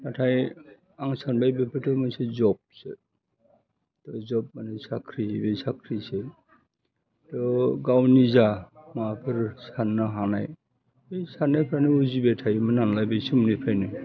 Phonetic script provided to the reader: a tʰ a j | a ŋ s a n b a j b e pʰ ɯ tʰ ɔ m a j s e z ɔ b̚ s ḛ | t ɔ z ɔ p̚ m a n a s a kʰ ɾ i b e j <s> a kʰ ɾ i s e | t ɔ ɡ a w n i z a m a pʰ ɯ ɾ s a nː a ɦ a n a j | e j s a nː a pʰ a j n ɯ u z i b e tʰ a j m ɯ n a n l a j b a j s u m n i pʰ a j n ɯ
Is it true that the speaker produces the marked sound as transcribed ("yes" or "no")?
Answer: yes